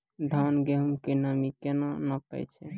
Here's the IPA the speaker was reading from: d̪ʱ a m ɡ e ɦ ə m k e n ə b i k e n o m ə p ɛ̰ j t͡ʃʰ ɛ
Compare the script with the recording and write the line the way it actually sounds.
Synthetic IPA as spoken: d̪ʱ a n ɡ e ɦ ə m k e n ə m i k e n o n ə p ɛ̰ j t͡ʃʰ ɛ

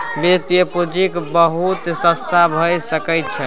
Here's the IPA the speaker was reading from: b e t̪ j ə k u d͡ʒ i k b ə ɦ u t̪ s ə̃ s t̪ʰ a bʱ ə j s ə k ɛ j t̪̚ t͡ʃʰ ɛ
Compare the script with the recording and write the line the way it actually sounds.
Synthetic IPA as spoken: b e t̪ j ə p u d͡ʒ i k b ə ɦ u t̪ s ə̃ s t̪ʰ a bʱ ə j s ə k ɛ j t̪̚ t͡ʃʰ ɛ

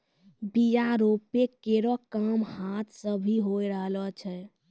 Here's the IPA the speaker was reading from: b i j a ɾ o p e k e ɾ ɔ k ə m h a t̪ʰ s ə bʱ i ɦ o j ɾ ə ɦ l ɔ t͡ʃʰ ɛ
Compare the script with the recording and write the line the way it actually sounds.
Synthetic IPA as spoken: b i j a ɾ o p e k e ɾ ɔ k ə m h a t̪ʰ s ə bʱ i ɦ o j ɾ ə ɦ l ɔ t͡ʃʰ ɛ

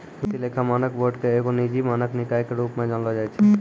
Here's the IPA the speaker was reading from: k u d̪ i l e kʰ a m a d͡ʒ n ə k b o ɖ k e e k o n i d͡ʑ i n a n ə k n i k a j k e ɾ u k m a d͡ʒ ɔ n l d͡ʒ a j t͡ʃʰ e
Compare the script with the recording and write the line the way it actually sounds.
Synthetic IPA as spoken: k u t̪ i l e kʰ a m a n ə k b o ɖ k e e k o n i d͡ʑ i m a n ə k n i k a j k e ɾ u p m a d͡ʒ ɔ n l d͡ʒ a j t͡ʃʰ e

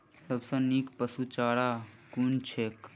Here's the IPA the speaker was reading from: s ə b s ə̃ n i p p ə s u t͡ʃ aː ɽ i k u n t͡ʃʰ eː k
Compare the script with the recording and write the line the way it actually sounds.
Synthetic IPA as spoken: s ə b s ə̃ n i k p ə s u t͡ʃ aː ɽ a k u n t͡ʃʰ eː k

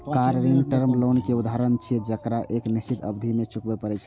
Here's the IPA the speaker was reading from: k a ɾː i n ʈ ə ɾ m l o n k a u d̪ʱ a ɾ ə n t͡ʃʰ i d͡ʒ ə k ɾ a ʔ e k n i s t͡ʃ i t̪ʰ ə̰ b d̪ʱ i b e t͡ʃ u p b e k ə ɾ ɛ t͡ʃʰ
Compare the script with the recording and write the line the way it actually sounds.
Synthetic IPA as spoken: k a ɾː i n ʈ ə ɾ m l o n k e u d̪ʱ a ɾ ə n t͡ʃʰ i d͡ʒ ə k ɾ a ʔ e k n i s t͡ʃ i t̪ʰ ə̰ b d̪ʱ i m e t͡ʃ u k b e p ə ɾ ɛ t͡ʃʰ

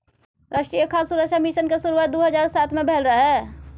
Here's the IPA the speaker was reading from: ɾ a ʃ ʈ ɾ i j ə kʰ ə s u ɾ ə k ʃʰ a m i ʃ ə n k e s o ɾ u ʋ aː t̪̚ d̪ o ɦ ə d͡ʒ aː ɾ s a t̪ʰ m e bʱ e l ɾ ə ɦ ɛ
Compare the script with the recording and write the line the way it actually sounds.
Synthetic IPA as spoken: ɾ a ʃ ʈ ɾ i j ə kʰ a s u ɾ ə k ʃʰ a m i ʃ ə n k e s u ɾ u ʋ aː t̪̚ d̪ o ɦ ə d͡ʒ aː ɾ s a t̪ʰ m e bʱ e l ɾ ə ɦ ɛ

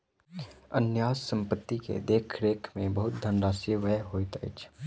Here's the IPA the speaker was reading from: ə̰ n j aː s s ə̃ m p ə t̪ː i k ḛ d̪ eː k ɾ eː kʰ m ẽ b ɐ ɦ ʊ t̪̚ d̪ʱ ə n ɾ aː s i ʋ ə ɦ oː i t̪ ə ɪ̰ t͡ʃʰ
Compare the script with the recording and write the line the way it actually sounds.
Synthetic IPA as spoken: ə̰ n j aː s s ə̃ m p ə t̪ː i k ḛ d̪ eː kʰ ɾ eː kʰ m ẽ b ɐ ɦ ʊ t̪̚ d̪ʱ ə n ɾ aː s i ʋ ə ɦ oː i t̪ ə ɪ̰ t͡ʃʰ

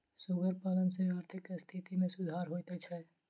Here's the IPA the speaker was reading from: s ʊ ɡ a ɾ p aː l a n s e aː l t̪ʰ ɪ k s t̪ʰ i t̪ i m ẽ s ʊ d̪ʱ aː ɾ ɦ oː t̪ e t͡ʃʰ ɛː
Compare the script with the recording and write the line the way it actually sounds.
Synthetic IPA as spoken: s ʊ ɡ ə ɾ p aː l ə n s e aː ɾ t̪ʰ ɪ k s t̪ʰ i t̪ i m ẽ s ʊ d̪ʱ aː ɾ ɦ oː t̪ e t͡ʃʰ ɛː

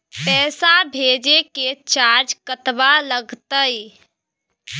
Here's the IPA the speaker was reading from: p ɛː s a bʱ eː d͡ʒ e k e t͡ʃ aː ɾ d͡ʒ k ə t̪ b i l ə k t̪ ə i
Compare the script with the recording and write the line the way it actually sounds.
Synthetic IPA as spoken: p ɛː s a bʱ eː d͡ʒ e k e t͡ʃ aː ɾ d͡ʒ k ə t̪ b a l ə ɡ t̪ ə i

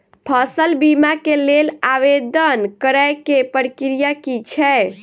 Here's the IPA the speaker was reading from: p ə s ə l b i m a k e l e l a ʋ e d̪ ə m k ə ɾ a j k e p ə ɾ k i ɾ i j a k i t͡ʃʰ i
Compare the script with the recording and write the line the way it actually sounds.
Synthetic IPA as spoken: pʰ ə s ə l b i m a k e l e l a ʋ e d̪ ə n k ə ɾ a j k e p ə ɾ k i ɾ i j a k i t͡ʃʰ ɛ

